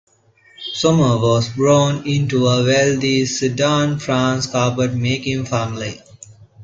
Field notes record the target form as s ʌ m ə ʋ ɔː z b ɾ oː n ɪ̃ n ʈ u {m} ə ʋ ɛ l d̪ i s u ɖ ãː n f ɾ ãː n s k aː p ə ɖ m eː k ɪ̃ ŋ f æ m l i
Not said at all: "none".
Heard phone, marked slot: none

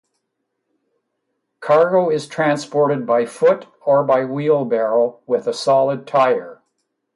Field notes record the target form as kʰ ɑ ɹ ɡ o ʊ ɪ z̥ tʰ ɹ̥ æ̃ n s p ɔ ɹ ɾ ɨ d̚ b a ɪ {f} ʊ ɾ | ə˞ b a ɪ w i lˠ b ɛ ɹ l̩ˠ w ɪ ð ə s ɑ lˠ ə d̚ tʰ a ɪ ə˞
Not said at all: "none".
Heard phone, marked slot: f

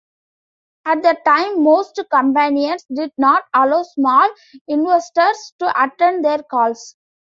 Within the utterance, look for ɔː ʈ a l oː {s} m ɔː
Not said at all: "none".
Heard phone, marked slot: s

